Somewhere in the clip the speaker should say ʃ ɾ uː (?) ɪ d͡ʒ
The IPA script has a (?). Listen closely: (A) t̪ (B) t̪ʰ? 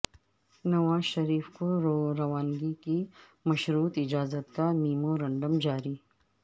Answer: A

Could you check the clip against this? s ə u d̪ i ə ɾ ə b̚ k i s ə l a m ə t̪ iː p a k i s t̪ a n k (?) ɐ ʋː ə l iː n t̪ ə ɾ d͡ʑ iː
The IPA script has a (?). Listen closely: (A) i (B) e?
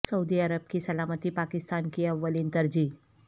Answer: A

